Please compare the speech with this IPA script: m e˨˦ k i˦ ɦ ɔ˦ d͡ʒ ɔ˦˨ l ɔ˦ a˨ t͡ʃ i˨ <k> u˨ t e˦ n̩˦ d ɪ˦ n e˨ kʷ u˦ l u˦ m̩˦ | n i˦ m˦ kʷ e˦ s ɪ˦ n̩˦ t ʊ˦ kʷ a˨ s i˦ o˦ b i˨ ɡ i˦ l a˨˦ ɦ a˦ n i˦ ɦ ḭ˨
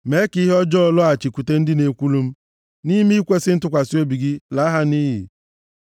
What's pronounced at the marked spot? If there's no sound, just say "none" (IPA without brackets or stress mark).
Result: k